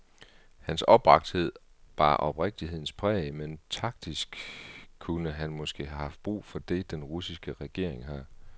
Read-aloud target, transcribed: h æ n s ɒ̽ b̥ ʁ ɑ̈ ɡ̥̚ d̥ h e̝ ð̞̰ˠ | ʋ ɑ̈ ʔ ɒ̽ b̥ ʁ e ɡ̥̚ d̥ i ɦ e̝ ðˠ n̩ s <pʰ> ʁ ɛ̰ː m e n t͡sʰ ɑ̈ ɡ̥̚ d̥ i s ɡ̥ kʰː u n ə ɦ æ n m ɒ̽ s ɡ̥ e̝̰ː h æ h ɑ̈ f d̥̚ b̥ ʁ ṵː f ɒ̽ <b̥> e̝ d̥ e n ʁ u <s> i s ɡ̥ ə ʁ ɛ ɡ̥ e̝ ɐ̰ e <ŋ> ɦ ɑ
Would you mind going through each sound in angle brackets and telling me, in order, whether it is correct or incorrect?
correct, incorrect, correct, correct

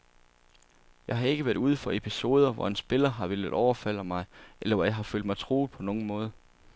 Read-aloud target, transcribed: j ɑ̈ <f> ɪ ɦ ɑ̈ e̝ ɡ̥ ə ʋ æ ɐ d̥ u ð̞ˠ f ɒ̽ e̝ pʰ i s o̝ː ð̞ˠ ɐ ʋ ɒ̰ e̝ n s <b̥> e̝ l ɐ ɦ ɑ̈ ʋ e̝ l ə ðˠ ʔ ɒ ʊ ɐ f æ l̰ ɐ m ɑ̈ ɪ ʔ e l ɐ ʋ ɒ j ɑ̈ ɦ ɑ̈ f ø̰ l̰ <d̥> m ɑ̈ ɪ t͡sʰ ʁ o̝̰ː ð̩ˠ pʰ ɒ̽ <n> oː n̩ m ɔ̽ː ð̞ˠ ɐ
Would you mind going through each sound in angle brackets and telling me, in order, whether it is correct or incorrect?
incorrect, correct, correct, correct

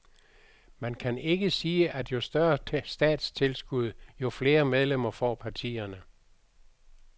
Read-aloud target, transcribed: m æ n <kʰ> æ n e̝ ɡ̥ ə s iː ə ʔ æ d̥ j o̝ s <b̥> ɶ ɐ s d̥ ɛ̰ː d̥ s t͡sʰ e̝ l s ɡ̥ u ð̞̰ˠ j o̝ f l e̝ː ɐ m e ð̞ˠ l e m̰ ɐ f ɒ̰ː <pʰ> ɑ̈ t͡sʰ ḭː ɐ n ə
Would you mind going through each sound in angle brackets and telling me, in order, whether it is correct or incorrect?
correct, incorrect, correct

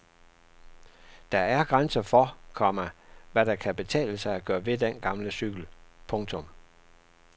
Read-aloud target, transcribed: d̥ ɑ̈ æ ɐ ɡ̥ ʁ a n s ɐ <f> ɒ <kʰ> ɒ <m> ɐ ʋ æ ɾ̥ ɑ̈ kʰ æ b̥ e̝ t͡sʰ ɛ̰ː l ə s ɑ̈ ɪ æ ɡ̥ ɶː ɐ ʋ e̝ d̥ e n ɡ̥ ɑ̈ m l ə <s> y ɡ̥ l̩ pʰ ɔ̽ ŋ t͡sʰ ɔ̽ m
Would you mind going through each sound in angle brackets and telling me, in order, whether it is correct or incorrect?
correct, correct, correct, correct

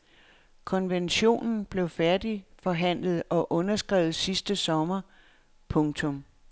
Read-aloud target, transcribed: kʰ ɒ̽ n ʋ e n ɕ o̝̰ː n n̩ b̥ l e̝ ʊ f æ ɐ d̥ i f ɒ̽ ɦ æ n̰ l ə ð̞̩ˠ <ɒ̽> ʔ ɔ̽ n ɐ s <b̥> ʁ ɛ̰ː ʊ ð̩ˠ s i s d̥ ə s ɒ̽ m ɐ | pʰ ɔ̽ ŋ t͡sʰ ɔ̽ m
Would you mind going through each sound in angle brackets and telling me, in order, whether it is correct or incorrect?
correct, incorrect

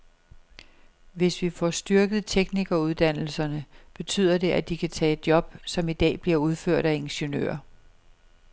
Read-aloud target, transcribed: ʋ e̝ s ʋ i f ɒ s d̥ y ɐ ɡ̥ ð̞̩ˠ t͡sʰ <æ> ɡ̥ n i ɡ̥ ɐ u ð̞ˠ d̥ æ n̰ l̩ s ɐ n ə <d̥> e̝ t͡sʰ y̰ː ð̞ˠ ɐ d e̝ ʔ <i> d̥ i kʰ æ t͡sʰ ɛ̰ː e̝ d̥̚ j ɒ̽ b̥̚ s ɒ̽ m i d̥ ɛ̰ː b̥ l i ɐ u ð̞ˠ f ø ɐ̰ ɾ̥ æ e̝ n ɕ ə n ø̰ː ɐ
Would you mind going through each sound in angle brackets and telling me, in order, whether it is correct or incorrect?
incorrect, incorrect, incorrect

